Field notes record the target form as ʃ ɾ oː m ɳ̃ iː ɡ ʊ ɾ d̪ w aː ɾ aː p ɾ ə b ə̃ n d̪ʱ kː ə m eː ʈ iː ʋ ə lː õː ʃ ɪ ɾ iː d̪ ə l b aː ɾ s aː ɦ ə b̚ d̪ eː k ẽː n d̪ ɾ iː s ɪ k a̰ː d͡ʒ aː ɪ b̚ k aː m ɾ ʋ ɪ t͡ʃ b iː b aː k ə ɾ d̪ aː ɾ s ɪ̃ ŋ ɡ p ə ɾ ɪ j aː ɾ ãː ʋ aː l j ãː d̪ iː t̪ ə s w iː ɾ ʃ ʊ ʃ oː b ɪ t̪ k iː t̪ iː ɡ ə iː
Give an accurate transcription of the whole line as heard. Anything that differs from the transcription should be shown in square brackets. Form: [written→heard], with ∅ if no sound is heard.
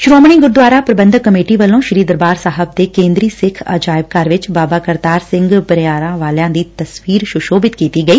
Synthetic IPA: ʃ ɾ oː m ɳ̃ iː ɡ ʊ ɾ d̪ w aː ɾ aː p ɾ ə b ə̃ n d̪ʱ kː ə m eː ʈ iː ʋ ə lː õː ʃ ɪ ɾ iː d̪ ə [l→ɾ] b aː ɾ s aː ɦ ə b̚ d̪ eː k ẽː n d̪ ɾ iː s ɪ [k→kʰ] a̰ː d͡ʒ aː ɪ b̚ k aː [m→∅] ɾ ʋ ɪ t͡ʃ b [iː→aː] b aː k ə ɾ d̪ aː ɾ s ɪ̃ ŋ ɡ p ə ɾ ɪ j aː ɾ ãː ʋ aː l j ãː d̪ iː t̪ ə s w iː ɾ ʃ ʊ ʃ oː b ɪ t̪ k iː t̪ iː ɡ ə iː